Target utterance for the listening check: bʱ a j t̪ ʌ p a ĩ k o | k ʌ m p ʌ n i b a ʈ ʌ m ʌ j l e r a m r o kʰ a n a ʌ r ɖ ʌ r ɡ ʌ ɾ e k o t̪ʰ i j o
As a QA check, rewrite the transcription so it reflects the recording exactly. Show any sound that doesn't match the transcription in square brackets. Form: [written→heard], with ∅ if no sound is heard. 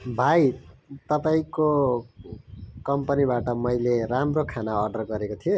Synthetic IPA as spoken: bʱ a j t̪ ʌ p a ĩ k o | k ʌ m p ʌ n i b a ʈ ʌ m ʌ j l e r a m r o kʰ a n a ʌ r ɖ ʌ r ɡ ʌ ɾ e k o t̪ʰ i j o